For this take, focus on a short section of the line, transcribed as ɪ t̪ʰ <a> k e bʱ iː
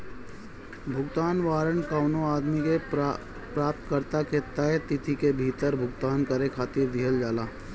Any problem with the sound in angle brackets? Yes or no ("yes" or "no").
yes